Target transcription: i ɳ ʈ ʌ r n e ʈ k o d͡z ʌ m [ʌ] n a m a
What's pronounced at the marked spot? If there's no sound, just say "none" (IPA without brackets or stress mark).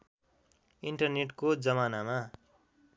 a